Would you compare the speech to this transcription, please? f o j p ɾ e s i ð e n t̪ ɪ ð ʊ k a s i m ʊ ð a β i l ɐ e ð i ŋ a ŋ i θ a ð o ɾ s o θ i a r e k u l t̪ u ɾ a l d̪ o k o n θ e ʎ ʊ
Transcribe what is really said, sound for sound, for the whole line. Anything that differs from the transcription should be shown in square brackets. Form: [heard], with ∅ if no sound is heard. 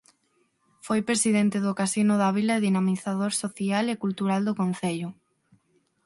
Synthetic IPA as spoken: f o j p ɾ e s i ð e n t̪ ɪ ð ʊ k a s i [n] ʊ ð a β i l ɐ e ð i [n] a [m] i θ a ð o ɾ s o θ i a [l] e k u l t̪ u ɾ a l d̪ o k o n θ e ʎ ʊ